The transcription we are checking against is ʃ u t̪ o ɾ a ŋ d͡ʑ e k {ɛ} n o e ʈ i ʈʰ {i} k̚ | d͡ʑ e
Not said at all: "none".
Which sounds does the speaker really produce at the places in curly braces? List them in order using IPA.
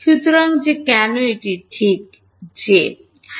ɛ, i

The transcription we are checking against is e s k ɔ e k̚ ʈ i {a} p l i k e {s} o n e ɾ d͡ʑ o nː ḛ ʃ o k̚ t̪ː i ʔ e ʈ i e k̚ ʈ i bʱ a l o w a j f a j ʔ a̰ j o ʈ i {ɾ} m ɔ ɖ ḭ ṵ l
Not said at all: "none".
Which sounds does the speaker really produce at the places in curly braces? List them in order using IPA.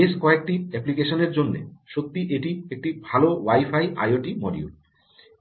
ɛ, ʃ, none

